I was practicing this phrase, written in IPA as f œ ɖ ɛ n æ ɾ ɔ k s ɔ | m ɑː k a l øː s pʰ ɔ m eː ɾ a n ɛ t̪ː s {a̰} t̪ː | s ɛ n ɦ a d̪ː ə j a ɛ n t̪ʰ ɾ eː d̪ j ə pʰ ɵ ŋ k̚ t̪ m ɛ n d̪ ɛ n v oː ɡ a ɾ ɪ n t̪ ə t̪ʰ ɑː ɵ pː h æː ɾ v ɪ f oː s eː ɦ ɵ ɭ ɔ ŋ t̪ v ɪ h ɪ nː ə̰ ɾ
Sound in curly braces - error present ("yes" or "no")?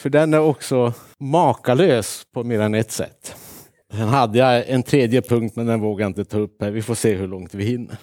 yes